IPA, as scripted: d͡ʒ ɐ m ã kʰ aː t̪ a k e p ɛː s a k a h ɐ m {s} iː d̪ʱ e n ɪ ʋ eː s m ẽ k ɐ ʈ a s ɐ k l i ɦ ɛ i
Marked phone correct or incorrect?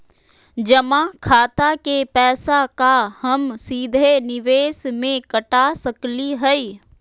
correct